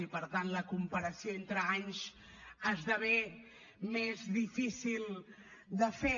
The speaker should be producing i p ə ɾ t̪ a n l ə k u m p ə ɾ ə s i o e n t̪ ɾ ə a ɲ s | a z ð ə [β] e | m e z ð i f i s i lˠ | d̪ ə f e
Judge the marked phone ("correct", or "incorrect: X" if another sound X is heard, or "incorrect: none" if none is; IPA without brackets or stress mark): correct